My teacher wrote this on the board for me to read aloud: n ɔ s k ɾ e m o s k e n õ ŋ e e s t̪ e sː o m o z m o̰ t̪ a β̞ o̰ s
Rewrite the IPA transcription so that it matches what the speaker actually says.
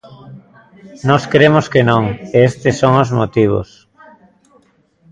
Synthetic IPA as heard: n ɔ s k ɾ e m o s k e n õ ŋ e e s t̪ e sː o ŋ o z m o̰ t̪ i β̞ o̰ s